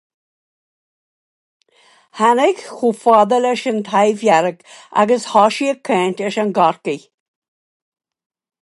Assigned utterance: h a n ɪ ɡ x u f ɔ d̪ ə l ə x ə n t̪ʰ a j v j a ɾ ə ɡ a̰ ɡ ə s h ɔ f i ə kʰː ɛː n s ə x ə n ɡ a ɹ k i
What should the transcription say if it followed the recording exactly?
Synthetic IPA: h a n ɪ ɡ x u f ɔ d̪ ə l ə ʃ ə n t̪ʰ a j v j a ɾ ə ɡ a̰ ɡ ə s h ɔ ʃ i ə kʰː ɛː n t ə ʃ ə n ɡ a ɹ k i